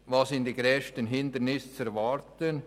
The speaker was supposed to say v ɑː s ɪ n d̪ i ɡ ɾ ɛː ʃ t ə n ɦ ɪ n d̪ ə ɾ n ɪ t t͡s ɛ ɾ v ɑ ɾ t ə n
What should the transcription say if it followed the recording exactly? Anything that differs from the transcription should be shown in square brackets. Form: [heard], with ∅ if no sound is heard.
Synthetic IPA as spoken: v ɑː s ɪ n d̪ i ɡ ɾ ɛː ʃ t ə n ɦ ɪ n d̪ ə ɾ n ɪ [s] t͡s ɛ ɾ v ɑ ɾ t ə n

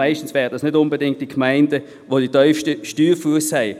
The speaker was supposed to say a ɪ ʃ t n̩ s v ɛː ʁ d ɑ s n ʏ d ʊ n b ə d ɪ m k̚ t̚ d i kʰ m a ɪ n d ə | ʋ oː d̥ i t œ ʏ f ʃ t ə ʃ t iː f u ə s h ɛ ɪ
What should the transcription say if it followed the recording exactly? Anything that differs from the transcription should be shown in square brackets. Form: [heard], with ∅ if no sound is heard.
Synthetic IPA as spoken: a ɪ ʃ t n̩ s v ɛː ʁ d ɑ s n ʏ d ʊ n b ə d ɪ [ŋ] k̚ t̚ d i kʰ m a ɪ n d ə | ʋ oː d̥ i t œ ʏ f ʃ t ə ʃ t [yː] f u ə s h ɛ ɪ

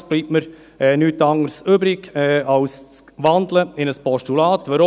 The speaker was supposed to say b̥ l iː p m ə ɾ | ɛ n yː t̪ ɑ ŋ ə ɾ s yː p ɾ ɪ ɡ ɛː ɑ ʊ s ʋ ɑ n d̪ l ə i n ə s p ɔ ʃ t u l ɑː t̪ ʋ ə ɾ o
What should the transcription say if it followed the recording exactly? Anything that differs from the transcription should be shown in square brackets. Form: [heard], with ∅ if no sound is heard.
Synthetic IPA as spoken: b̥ l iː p m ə ɾ | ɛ n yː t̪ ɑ ŋ ə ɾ s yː [b] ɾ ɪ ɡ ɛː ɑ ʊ s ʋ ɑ n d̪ l ə [ɪ] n ə s p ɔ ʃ t u l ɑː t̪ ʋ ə ɾ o

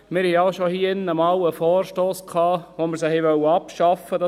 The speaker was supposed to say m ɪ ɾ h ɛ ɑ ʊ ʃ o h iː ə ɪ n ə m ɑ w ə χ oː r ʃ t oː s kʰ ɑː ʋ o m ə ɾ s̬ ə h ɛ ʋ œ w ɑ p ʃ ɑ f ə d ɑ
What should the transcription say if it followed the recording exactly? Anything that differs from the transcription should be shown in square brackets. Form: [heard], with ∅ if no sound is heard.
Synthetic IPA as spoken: m ɪ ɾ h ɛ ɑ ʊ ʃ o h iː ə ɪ n ə m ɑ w ə [f] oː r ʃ t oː s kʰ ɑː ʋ o m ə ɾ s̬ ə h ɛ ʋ œ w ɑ p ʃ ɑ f ə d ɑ

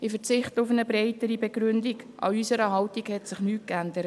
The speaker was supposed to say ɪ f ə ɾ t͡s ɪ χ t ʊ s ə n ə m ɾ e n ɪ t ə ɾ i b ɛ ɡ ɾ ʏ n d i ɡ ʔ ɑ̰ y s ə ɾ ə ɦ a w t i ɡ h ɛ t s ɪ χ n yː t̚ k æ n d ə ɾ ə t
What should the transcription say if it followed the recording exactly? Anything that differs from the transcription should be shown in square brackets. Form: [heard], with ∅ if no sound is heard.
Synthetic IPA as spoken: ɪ f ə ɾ t͡s ɪ χ t ʊ [f] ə n ə [b] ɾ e [∅] ɪ t ə ɾ i b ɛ ɡ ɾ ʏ n d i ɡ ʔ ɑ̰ y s ə ɾ ə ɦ [ɑ] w t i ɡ h ɛ t s ɪ χ n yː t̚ k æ n d ə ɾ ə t

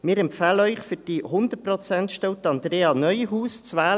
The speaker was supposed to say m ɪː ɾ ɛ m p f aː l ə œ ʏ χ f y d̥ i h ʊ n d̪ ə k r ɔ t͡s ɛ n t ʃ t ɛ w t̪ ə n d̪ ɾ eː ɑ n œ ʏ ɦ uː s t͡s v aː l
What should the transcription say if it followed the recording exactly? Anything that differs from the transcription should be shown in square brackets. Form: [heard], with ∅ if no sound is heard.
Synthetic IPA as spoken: m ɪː ɾ ɛ m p f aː l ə œ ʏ χ f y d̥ i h ʊ n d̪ ə [p] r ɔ t͡s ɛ n t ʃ t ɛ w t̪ [ɑ] n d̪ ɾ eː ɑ n œ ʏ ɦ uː s t͡s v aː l

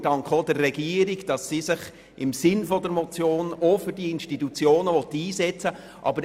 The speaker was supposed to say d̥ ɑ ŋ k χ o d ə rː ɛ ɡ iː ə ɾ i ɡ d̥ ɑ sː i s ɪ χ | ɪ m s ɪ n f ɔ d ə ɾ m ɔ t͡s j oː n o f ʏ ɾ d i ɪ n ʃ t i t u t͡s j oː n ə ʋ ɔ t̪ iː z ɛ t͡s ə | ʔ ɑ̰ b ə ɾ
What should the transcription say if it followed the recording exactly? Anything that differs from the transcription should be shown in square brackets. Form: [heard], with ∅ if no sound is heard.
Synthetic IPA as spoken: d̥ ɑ ŋ k χ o d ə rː ɛ ɡ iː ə ɾ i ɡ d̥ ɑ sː i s ɪ χ | ɪ m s ɪ n f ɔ d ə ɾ m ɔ t͡s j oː n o f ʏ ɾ d i ɪ n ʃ t i t u t͡s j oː n ə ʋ ɔ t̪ iː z ɛ t͡s ə | ʔ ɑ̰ b ə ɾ

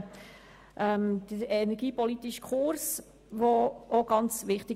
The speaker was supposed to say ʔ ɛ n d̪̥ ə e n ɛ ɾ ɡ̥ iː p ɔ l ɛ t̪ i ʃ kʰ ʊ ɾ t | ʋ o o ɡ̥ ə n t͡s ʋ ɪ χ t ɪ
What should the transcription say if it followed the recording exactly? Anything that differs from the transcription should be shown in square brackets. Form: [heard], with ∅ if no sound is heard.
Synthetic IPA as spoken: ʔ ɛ [m] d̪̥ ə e n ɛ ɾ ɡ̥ iː p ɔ l [i] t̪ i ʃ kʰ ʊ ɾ [s] | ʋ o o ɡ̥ [ɑ] n t͡s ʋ ɪ χ t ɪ

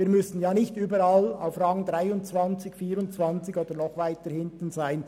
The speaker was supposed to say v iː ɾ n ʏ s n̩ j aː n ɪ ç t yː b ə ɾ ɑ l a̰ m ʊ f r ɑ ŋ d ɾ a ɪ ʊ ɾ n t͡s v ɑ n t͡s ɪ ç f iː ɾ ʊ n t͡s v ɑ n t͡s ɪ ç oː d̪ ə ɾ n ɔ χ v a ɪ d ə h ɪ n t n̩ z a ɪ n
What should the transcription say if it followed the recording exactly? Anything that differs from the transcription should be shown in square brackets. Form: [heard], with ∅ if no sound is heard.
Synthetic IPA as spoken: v iː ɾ [m] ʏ s n̩ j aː n ɪ ç t yː b ə ɾ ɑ l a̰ [∅] ʊ f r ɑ ŋ d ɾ a ɪ ʊ [∅] n t͡s v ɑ n t͡s ɪ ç f iː ɾ ʊ n t͡s v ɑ n t͡s ɪ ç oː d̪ ə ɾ n ɔ χ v a ɪ [t] ə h ɪ n t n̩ z a ɪ n

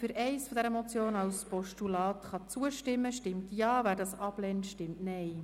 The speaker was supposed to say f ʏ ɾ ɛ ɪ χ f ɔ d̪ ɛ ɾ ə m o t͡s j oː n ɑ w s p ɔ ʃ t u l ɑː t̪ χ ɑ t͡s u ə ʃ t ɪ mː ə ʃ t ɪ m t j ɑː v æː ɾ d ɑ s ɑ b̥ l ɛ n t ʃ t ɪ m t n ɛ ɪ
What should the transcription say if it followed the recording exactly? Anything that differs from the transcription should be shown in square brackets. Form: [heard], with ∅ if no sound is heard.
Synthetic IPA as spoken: f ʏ ɾ ɛ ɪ [s] f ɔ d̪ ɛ ɾ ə m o t͡s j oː n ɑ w s p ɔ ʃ t u l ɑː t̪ χ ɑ t͡s u ə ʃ t ɪ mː ə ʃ t ɪ m t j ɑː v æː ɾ d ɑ s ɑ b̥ l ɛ n t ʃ t ɪ m t n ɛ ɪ

